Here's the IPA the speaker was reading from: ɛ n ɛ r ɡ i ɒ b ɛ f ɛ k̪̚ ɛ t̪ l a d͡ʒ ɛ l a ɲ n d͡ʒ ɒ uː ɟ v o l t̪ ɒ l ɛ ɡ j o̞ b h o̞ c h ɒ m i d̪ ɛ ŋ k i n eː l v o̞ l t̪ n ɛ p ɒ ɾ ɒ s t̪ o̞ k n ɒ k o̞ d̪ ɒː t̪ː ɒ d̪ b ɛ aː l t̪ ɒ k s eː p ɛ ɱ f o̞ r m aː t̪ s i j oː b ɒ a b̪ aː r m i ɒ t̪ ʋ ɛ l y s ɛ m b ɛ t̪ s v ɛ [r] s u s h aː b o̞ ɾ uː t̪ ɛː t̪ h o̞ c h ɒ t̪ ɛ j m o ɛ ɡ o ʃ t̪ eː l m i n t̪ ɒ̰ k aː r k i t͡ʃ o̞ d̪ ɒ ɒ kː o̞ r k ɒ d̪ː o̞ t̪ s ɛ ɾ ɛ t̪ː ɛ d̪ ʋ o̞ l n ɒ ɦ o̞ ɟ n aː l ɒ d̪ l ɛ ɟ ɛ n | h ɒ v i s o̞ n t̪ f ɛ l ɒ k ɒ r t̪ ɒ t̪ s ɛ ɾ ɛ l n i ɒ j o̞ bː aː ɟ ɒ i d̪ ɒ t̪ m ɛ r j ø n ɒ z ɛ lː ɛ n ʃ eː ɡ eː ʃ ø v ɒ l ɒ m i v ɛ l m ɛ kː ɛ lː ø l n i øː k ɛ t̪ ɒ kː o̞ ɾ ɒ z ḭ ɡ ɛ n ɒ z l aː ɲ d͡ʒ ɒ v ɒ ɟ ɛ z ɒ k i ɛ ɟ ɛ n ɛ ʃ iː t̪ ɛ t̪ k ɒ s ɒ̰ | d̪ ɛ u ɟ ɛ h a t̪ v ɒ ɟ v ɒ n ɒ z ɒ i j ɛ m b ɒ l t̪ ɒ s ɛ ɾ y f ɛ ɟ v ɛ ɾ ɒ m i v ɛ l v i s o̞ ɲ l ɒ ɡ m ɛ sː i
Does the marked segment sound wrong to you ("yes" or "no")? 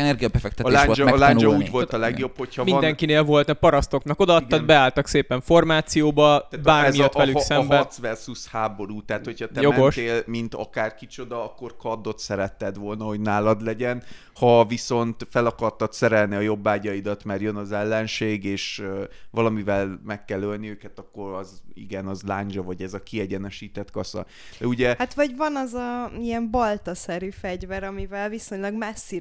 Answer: no